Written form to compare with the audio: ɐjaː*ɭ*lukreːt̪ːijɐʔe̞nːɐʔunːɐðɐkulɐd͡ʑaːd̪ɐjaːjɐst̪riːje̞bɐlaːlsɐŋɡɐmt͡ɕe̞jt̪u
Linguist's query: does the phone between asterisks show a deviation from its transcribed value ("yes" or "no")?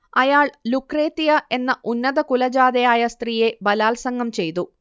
no